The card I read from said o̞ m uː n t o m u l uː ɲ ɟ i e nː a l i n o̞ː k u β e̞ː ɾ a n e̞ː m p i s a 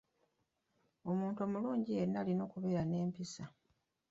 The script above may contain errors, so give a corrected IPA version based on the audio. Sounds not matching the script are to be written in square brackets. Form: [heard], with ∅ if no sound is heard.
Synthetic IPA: o̞ m uː n t o m u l uː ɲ ɟ i e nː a l i n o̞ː k u β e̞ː ɾ a n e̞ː m p i s a